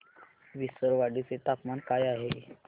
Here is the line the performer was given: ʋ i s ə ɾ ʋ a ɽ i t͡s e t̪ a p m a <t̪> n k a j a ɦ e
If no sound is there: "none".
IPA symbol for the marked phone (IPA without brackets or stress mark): none